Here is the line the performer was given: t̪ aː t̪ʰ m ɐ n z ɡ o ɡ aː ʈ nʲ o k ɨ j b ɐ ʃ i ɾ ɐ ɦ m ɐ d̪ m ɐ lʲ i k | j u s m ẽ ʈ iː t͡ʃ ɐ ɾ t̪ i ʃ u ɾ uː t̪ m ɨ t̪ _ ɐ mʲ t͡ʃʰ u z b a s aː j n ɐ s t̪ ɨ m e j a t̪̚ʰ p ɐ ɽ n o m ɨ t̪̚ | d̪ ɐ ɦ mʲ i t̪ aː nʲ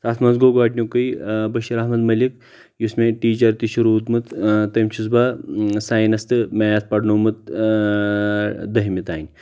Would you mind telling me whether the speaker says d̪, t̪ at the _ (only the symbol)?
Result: t̪